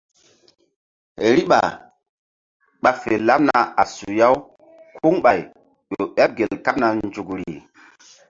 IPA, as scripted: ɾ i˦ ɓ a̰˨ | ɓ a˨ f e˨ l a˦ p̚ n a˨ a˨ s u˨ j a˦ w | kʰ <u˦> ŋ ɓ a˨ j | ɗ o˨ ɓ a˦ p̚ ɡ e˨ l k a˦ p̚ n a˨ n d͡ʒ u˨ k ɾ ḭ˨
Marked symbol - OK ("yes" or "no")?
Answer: yes